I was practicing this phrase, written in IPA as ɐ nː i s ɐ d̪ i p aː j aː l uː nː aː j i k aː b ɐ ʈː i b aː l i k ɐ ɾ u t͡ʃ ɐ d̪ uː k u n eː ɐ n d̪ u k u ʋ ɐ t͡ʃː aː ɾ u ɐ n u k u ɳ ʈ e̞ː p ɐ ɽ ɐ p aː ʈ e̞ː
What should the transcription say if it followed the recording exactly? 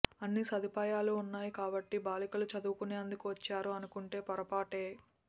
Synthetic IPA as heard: ɐ nː i s ɐ d̪ i p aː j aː l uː nː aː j i k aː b ɐ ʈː i b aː l i k ɐ l u t͡ʃ ɐ d̪ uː k u n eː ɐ n d̪ u k u ʋ ɐ t͡ʃː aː ɾ u ɐ n u k u ɳ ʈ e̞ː p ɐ ɾ ɐ p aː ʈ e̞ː

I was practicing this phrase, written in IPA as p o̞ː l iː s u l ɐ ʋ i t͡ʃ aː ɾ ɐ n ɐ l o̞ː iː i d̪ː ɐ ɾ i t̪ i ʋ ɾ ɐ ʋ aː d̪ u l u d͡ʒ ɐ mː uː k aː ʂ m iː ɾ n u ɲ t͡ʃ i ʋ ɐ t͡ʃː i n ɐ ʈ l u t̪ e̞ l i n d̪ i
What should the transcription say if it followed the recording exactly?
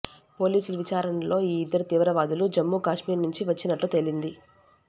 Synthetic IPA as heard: p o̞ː l iː s u l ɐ ʋ i t͡ʃ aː ɾ ɐ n ɐ l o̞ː iː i d̪ː ɐ ɾ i t̪ iː ʋ ɾ ɐ ʋ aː d̪ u l u d͡ʒ ɐ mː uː k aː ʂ m iː ɾ n u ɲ t͡ʃ i ʋ ɐ t͡ʃː i n ɐ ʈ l u t̪ e̞ l i n d̪ i

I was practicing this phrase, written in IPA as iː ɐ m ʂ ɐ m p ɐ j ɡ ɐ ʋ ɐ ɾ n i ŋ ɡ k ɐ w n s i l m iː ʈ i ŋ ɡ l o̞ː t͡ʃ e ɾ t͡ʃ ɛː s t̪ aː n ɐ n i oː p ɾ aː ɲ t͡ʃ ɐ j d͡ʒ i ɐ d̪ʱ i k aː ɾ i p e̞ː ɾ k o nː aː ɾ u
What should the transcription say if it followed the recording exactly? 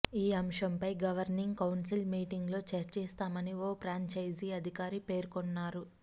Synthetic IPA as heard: iː ɐ m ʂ ɐ m p ɐ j ɡ ɐ ʋ ɐ ɾ n i ŋ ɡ k ɐ w n s i l m iː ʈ i ŋ ɡ l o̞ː t͡ʃ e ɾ t͡ʃ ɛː s t̪ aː m ɐ n i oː p ɾ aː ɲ t͡ʃ ɐ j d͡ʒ i ɐ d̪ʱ i k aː ɾ i p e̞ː ɾ k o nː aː ɾ u

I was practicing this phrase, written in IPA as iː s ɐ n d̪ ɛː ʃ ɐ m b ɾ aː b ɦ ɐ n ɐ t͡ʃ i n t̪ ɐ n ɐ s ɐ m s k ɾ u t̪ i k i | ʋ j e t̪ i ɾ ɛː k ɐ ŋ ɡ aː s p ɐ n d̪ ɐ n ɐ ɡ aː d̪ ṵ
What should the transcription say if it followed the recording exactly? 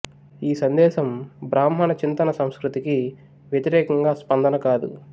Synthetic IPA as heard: iː s ɐ n d̪ ɛː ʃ ɐ m b ɾ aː m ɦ ɐ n ɐ t͡ʃ i n t̪ ɐ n ɐ s ɐ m s k ɾ u t̪ i k i | ʋ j e t̪ i ɾ ɛː k ɐ ŋ ɡ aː s p ɐ n d̪ ɐ n ɐ k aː d̪ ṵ

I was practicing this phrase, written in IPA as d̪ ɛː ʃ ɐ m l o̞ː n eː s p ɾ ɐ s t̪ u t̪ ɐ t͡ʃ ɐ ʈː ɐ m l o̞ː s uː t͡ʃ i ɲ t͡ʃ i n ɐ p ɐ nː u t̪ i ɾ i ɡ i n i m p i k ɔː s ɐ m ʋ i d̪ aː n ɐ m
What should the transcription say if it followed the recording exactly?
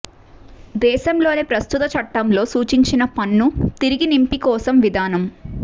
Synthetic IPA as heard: d̪ ɛː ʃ ɐ m l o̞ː n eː p ɾ ɐ s t̪ u t̪ ɐ t͡ʃ ɐ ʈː ɐ m l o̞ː s uː t͡ʃ i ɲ t͡ʃ i n ɐ p ɐ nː u t̪ i ɾ i ɡ i n i m p i k ɔː s ɐ m ʋ i d̪ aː n ɐ m

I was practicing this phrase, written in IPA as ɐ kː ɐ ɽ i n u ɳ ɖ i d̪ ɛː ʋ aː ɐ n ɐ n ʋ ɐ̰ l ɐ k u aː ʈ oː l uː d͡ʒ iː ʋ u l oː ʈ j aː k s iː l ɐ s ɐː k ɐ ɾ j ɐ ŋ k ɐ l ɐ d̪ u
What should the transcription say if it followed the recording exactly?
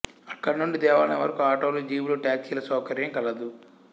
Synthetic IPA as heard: ɐ kː ɐ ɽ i n u ɳ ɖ i d̪ ɛː ʋ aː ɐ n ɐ ʋ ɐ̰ ɾ ɐ k u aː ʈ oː l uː d͡ʒ iː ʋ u l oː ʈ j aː k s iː l ɐ s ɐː k ɐ ɾ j ɐ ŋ k ɐ l ɐ d̪ u

